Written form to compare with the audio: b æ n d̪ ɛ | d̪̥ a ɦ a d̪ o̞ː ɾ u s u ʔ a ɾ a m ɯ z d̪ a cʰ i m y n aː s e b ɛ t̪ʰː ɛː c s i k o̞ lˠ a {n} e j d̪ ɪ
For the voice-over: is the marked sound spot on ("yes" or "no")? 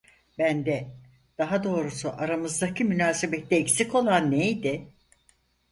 no